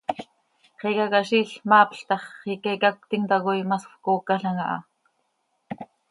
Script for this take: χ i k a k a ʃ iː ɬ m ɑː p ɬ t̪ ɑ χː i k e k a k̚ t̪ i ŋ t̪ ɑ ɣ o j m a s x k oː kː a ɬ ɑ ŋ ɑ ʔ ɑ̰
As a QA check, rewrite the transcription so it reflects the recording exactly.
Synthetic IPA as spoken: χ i k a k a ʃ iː ɬ m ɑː p ɬ t̪ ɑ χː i k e k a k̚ t̪ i ŋ t̪ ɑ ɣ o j m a s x k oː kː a ɬ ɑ ŋ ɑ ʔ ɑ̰

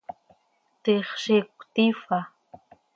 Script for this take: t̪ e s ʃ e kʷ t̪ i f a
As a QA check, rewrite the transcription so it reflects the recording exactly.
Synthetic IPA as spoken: t̪ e χ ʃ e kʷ t̪ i f a

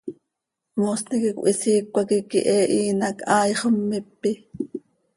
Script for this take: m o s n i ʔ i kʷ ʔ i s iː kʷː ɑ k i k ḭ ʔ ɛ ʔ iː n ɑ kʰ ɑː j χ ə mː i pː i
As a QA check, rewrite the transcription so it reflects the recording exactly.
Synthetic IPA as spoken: m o s n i k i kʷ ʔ i s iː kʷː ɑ k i k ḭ ʔ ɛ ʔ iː n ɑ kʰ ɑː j χ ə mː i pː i

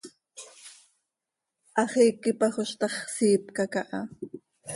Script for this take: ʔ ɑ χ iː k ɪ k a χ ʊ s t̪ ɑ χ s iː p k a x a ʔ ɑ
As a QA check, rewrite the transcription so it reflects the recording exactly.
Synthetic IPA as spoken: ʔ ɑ χ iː k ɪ p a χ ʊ ʃ t̪ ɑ χ s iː p k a k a ʔ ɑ

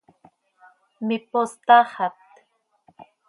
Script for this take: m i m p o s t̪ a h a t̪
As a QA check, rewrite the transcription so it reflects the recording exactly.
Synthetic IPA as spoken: m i p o s t̪ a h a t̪

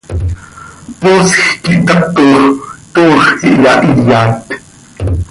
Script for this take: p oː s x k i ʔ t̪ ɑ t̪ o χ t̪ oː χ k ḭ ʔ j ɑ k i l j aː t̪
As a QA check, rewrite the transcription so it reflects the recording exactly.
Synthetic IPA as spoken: p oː s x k i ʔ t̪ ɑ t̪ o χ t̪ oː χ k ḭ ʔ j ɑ ʔ i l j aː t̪

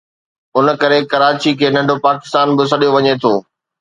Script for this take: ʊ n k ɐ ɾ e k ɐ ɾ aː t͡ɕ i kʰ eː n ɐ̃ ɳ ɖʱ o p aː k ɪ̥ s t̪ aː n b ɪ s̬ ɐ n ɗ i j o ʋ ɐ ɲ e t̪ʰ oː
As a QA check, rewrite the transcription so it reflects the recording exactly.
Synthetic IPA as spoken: ʊ n k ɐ ɾ e k ɐ ɾ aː t͡ɕ i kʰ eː n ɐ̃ ɳ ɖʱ o p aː k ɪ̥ s t̪ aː n b ɪ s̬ ɐ ɗ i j o ʋ ɐ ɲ e t̪ʰ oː

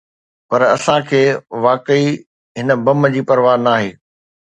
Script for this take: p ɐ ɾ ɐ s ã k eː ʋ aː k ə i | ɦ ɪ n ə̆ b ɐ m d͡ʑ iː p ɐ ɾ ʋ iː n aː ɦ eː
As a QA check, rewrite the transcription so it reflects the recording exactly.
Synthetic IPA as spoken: p ɐ ɾ ɐ s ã kʰ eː ʋ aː k ə i | ɦ ɪ n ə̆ b ɐ m d͡ʑ iː p ɐ ɾ ʋ aː n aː ɦ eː

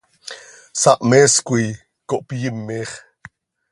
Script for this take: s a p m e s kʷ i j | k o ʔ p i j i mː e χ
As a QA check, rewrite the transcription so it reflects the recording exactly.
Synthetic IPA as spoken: s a ʔ m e s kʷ i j | k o ʔ p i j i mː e χ

